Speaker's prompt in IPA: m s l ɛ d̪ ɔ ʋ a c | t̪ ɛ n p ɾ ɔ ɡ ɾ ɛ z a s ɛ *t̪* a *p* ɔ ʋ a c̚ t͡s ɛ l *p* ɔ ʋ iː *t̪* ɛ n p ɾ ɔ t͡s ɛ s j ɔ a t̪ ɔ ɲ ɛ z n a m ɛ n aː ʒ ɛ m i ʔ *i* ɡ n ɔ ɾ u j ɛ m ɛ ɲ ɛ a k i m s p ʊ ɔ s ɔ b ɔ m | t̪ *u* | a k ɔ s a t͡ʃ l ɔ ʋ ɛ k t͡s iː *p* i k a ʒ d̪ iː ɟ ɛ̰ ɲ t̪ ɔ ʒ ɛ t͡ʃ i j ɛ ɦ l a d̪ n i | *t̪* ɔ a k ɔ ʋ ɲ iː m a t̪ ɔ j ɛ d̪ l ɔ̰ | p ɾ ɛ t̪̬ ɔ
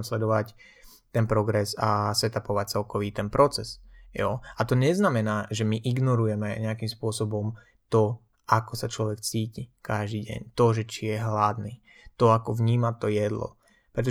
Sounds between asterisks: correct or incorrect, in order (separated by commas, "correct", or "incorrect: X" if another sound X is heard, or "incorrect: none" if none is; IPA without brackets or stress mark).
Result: correct, correct, incorrect: k, correct, correct, incorrect: ɔ, incorrect: c, correct